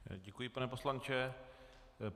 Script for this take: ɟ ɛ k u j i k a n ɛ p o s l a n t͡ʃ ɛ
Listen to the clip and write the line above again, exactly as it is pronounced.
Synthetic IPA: ɟ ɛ k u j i p a n ɛ p o s l a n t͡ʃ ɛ

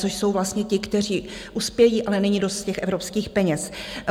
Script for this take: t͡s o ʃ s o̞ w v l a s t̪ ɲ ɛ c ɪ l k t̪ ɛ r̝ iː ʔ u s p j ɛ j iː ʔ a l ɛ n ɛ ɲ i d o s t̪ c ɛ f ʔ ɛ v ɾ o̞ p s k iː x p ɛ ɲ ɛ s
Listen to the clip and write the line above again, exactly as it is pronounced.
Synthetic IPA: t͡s o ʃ s o̞ w v l a s t̪ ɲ ɛ c ɪ k t̪ ɛ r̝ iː ʔ u s p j ɛ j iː ʔ a l ɛ n ɛ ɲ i d o s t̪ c ɛ x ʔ ɛ v ɾ o̞ p s k iː x p ɛ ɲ ɛ s

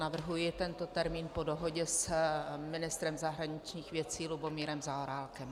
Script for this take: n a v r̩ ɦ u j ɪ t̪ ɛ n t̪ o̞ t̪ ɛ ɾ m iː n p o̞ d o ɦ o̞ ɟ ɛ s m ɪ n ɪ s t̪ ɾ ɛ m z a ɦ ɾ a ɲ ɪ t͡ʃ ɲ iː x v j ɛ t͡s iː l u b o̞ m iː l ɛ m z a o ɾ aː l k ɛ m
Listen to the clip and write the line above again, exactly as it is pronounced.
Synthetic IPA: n a v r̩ ɦ u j ɪ t̪ ɛ n t̪ o̞ t̪ ɛ ɾ m iː n p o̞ d o ɦ o̞ ɟ ɛ s m ɪ n ɪ s t̪ ɾ ɛ m z a ɦ ɾ a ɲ ɪ t͡ʃ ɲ iː x v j ɛ t͡s iː l u b o̞ m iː ɾ ɛ m z a o ɾ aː l k ɛ m

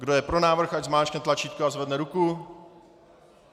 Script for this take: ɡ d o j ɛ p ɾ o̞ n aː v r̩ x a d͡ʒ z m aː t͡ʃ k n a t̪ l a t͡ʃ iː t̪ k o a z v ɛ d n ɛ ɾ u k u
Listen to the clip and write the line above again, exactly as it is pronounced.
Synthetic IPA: ɡ d o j ɛ p ɾ o̞ n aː v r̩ x a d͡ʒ z m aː t͡ʃ k n ɛ t̪ l a t͡ʃ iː t̪ k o a z v ɛ d n ɛ ɾ u k u

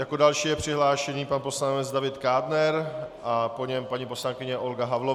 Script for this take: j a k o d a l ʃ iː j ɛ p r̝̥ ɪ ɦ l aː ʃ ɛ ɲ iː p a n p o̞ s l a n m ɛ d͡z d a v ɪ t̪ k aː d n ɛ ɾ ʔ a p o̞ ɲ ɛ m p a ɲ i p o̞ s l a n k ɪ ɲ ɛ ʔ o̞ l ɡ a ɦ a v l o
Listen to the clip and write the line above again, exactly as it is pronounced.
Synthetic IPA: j a k o d a l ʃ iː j ɛ p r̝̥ ɪ ɦ l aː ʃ ɛ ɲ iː p a n p o̞ s l a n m ɛ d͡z d a v ɪ t̪ k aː d n ɛ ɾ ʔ a p o̞ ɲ ɛ m p a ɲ i p o̞ s l a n k ɪ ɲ ɛ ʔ o̞ l ɡ a ɦ a v l o

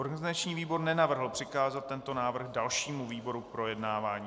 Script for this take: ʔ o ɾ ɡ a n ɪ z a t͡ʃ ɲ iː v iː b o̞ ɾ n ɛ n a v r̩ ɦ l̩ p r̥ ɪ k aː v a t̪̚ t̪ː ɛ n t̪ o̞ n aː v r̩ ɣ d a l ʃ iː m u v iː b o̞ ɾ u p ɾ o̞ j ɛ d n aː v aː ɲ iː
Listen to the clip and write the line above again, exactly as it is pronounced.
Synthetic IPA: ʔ o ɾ ɡ a n ɪ z a t͡ʃ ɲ iː v iː b o̞ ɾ n ɛ n a v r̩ ɦ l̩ p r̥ ɪ k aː z a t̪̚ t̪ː ɛ n t̪ o̞ n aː v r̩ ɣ d a l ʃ iː m u v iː b o̞ ɾ u p ɾ o̞ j ɛ d n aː v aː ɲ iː

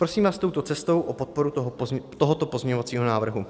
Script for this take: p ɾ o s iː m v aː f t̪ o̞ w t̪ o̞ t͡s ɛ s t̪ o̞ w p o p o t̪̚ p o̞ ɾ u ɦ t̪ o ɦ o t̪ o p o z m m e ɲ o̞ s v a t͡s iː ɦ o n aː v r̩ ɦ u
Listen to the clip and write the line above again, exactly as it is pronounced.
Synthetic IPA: p ɾ o s iː m v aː s t̪ o̞ w t̪ o̞ t͡s ɛ s t̪ o̞ w ʔ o p o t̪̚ p o̞ ɾ u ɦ t̪ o ɦ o t̪ o p o z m ɲ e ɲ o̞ v a t͡s iː ɦ o n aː v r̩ ɦ u

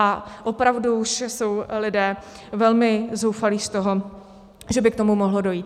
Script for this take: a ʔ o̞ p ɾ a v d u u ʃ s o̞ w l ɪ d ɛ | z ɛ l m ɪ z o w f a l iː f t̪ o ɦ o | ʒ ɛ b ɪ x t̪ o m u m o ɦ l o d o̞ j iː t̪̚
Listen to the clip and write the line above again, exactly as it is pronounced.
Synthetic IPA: a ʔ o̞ p ɾ a v d u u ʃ s o̞ w l ɪ d ɛː | v ɛ l m ɪ z o w f a l iː s t̪ o ɦ o | ʒ ɛ b ɪ k t̪ o m u m o ɦ l o d o̞ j iː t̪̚

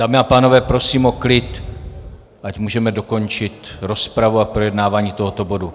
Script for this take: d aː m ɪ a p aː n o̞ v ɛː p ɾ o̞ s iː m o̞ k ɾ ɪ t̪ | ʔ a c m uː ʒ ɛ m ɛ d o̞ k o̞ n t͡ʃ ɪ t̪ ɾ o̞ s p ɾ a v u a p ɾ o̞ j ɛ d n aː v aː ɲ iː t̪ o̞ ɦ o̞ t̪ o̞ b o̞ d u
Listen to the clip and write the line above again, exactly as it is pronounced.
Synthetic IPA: d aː m ɪ a p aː n o̞ v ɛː p ɾ o̞ s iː m o̞ k l ɪ t̪ | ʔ a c m uː ʒ ɛ m ɛ d o̞ k o̞ n t͡ʃ ɪ t̪ ɾ o̞ s p ɾ a v u a p ɾ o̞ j ɛ d n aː v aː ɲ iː t̪ o̞ ɦ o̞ t̪ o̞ b o̞ d u

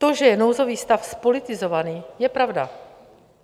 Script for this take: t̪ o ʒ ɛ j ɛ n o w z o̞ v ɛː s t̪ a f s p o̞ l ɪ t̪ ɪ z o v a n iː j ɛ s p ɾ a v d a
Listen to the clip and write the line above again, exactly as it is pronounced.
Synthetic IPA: t̪ o ʒ ɛ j ɛ n o w z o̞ v iː s t̪ a f s p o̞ l ɪ t̪ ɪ z o v a n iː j ɛ p ɾ a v d a

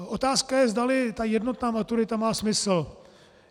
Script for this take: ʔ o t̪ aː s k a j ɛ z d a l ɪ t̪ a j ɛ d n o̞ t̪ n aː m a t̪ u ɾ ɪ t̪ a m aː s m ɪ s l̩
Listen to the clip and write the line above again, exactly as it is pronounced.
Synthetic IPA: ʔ o t̪ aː s k a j ɛ z d a l ɪ t̪ a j ɛ d n o̞ t̪ n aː m a t̪ u ɾ ɪ t̪ a m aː s m ɪ s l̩

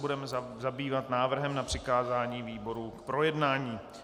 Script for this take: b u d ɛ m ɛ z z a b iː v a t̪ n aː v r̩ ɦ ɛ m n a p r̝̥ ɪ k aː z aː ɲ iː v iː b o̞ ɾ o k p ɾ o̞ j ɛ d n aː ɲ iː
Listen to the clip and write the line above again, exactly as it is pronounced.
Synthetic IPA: b u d ɛ m ɛ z z a b iː v a t̪ n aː v r̩ ɦ ɛ m n a p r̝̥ ɪ k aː z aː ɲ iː v iː b o̞ ɾ u k p ɾ o̞ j ɛ d n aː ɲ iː

